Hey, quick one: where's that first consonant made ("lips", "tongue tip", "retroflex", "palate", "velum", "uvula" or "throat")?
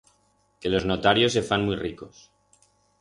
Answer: velum